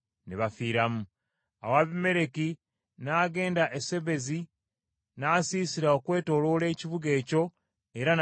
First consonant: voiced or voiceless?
voiced